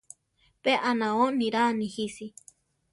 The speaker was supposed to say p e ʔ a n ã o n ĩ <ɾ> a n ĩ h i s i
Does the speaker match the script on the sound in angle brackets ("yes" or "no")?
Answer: yes